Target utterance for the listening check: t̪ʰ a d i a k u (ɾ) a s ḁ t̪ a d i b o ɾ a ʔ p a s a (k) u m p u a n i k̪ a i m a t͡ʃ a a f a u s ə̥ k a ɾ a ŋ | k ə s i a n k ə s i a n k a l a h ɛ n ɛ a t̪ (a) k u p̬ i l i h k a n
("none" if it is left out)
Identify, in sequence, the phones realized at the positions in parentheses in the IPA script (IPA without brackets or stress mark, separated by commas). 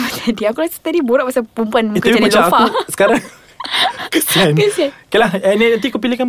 l, p, i